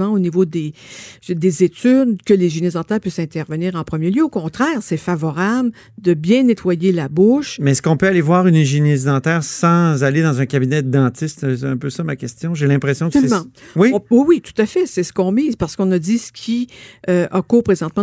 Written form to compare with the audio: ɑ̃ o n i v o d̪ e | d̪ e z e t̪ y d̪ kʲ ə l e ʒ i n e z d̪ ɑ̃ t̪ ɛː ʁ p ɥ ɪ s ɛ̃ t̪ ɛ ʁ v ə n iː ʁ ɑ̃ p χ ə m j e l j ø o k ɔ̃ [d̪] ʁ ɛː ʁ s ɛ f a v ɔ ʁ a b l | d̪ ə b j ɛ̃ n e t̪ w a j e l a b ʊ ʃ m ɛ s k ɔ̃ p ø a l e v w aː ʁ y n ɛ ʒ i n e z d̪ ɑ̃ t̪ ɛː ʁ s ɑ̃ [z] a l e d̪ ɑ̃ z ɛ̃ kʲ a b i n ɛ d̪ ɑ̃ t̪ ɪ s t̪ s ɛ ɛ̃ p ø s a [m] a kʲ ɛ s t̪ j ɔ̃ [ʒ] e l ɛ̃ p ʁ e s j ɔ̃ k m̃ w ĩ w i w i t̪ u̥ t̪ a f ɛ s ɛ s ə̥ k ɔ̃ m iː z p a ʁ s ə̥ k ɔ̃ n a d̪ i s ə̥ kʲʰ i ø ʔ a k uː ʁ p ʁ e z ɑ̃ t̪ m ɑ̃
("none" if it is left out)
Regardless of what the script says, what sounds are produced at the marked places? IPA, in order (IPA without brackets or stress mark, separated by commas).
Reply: t̪, z, m, ʒ